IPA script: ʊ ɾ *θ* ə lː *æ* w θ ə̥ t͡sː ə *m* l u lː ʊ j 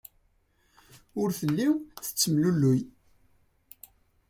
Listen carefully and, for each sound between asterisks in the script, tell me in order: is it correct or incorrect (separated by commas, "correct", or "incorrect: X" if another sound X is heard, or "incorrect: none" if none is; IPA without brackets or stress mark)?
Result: correct, incorrect: i, correct